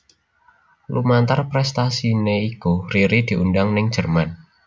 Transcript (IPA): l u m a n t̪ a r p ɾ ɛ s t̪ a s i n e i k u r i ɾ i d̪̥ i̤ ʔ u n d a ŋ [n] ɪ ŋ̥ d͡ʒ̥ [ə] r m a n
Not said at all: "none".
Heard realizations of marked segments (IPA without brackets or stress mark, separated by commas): n, ə